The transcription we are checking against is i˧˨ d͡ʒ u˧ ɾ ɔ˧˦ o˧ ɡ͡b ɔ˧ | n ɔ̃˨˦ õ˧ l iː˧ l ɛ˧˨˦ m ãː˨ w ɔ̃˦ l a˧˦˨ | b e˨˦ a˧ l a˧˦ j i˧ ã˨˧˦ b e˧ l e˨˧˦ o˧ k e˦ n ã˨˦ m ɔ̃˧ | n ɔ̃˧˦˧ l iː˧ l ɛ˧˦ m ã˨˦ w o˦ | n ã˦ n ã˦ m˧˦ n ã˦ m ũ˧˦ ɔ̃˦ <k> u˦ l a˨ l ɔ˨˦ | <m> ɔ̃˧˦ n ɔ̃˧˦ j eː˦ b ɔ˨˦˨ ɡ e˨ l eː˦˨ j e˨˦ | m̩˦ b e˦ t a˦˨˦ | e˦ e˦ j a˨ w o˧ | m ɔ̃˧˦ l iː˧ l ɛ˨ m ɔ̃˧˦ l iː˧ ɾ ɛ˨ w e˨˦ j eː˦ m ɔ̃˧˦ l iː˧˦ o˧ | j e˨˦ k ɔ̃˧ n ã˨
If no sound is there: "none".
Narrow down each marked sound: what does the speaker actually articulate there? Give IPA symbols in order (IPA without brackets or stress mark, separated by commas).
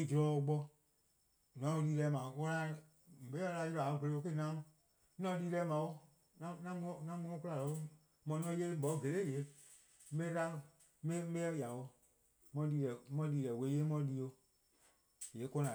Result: k, m